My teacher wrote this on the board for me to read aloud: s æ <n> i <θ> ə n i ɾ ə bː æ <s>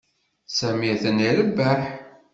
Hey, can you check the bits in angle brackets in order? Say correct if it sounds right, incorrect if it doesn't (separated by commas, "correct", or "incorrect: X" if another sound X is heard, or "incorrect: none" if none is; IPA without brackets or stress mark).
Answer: incorrect: m, correct, incorrect: ħ